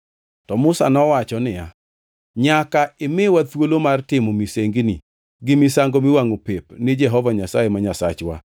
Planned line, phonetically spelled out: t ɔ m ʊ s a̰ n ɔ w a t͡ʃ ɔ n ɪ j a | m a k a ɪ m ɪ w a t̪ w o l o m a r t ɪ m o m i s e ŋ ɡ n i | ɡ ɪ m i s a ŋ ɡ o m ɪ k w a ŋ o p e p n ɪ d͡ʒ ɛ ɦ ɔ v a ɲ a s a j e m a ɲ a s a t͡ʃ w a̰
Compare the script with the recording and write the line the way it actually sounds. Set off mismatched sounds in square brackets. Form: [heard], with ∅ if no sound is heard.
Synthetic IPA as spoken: t ɔ m ʊ s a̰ n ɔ w a t͡ʃ ɔ n ɪ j a | [ɲ] a k a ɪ m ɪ w a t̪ w o l o m a r t ɪ m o m i s e ŋ ɡ n i | ɡ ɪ m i s a ŋ ɡ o m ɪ [∅] w a ŋ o p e p n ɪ d͡ʒ ɛ ɦ ɔ v a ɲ a s a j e m a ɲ a s a t͡ʃ w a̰